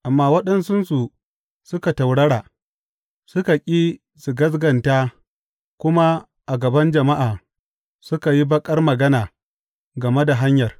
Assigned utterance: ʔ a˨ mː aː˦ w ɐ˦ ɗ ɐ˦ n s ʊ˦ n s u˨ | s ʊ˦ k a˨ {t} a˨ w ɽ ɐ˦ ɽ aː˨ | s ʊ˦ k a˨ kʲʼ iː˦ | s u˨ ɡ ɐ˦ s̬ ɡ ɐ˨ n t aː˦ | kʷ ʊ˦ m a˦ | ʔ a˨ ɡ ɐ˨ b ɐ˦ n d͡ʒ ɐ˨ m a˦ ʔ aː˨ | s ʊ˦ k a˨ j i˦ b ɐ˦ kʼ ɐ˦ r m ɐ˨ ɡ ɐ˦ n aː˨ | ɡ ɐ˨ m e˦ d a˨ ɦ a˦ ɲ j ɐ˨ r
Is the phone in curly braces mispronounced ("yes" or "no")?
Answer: no